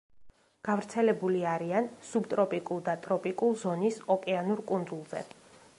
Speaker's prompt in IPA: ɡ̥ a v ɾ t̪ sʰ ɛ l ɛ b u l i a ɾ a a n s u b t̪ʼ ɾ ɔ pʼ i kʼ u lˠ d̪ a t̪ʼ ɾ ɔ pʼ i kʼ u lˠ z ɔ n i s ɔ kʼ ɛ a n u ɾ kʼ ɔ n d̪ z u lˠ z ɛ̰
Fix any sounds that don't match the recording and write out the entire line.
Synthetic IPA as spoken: ɡ̥ a v ɾ t̪ sʰ ɛ l ɛ b u l i a ɾ i a n s u b t̪ʼ ɾ ɔ pʼ i kʼ u lˠ d̪ a t̪ʼ ɾ ɔ pʼ i kʼ u lˠ z ɔ n i s ɔ kʼ ɛ a n u ɾ kʼ u n d̪ z u lˠ z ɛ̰